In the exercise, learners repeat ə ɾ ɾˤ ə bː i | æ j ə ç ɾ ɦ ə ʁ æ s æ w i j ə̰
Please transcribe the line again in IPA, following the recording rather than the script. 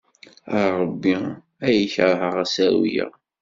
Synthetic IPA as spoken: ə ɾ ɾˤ ə bː i | æ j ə ç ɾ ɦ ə ʁ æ s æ w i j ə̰